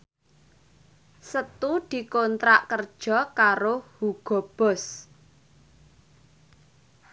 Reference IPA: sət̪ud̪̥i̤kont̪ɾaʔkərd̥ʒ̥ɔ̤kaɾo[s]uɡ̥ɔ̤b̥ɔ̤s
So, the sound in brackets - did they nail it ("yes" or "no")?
no